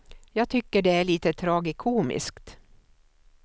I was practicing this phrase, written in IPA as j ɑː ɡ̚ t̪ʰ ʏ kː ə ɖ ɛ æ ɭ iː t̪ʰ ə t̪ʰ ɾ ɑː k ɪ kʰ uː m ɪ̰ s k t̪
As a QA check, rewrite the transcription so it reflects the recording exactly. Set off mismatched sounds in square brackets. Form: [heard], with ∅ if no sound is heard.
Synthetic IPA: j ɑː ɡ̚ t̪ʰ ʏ kː ə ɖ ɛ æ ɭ iː [t̪] ə t̪ʰ ɾ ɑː [ɡ] ɪ kʰ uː m ɪ̰ s k t̪